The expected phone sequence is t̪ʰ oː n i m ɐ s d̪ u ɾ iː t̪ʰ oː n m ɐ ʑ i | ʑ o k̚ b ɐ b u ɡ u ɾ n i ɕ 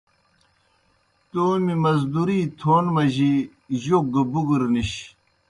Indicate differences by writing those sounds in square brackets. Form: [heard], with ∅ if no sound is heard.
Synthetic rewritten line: [t̪] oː [m] i m ɐ [z] d̪ u ɾ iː t̪ʰ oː n m ɐ ʑ i | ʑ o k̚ [ɡ] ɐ b u ɡ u ɾ n i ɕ